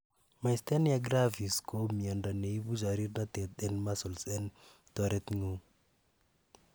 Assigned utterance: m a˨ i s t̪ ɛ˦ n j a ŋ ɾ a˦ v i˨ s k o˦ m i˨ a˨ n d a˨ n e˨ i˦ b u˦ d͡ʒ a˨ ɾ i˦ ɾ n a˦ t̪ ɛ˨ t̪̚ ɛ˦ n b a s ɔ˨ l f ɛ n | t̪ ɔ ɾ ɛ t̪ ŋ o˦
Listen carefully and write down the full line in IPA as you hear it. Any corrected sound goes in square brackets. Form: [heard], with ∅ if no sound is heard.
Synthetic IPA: m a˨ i s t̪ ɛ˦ n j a [ɡ] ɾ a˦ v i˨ s k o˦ m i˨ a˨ n d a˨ n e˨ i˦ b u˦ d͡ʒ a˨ ɾ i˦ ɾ n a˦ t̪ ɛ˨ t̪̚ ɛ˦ n [m] a s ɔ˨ l [s] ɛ n | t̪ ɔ ɾ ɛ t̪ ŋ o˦